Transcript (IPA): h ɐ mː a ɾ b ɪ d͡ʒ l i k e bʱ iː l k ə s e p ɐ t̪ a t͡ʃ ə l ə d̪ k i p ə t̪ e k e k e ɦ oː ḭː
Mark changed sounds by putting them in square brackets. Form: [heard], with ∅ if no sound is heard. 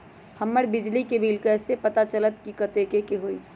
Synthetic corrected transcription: h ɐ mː [ə] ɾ b ɪ d͡ʒ l i k e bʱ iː l k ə s e p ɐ t̪ a t͡ʃ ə l ə [t̪] k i [k] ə t̪ e k e k e ɦ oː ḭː